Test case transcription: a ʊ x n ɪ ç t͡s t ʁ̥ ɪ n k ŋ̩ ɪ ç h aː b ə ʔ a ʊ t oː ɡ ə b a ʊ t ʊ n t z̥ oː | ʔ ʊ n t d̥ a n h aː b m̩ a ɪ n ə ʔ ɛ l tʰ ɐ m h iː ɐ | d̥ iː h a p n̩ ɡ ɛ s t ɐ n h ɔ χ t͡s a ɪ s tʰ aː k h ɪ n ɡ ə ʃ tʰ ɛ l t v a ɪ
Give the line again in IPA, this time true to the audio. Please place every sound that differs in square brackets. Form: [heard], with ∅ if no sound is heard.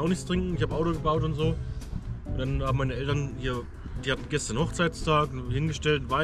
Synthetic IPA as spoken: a ʊ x n ɪ ç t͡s t ʁ̥ ɪ [ŋ] k ŋ̩ ɪ ç h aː b ə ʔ a ʊ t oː ɡ ə b a ʊ t ʊ n t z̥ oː | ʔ ʊ n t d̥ a n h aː b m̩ a ɪ n ə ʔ ɛ l [t] ɐ [n] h iː ɐ | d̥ iː h a [t] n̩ ɡ ɛ s t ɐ n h ɔ χ t͡s a ɪ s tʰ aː k h ɪ n ɡ ə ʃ [t] ɛ l t v a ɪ